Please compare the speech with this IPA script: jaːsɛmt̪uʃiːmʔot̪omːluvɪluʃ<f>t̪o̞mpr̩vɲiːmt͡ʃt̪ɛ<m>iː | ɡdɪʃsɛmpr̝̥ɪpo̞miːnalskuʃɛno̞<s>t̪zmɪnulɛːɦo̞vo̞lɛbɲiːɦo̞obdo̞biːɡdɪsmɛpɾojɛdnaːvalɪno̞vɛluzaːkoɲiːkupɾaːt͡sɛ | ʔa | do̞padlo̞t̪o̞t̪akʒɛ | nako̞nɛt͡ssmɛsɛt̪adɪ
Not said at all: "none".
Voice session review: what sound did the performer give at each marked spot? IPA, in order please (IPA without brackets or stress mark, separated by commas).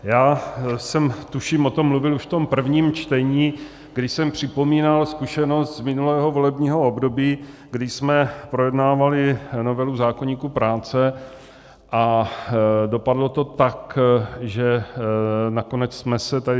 f, ɲ, s